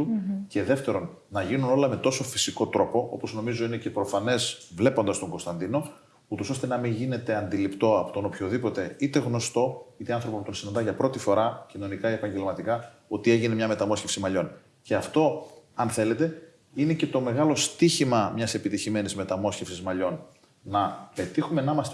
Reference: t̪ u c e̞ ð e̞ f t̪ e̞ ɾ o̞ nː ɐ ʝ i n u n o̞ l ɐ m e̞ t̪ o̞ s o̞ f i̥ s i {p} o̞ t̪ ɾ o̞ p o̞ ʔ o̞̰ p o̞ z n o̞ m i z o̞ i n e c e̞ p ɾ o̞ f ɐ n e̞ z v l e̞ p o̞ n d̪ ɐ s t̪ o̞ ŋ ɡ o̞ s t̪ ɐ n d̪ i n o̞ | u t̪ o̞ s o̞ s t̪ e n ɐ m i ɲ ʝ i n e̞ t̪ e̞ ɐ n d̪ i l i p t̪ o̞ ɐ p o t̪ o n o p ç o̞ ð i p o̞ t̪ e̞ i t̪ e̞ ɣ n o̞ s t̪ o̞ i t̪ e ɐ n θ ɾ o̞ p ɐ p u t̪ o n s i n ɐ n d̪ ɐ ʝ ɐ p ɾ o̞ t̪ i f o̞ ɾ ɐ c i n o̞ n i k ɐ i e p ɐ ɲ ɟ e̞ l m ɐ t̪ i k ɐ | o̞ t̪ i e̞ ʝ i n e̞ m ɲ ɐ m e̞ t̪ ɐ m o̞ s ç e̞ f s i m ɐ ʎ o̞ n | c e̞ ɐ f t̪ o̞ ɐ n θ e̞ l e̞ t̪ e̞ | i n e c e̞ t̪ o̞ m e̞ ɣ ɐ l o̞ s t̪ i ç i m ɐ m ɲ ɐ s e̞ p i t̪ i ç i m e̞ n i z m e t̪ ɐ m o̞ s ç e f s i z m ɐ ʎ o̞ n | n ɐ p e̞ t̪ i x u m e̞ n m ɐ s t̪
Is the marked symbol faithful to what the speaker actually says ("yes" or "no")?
no